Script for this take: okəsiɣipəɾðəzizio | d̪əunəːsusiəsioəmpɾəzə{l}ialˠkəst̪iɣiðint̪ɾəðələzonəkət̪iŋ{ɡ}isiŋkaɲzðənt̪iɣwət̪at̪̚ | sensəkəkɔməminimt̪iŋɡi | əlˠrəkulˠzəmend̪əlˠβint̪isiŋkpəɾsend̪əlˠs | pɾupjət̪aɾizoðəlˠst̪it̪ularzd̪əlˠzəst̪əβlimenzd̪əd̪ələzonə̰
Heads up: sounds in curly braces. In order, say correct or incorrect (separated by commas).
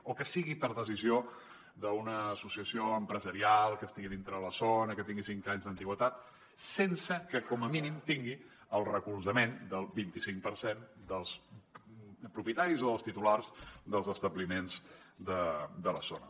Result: incorrect, correct